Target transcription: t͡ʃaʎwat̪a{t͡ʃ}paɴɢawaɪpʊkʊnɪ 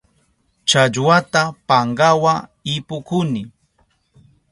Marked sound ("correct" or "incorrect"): incorrect